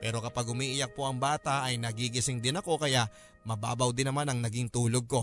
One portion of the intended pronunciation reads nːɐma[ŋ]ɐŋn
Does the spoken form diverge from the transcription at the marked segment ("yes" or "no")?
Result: yes